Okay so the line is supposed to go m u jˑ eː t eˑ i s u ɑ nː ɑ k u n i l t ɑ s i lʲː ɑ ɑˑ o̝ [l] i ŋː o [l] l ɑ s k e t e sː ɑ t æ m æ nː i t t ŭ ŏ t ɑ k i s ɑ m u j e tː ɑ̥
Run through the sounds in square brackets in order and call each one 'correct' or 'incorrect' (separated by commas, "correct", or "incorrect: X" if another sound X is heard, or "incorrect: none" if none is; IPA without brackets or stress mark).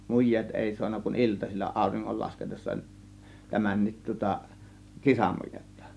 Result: incorrect: r, correct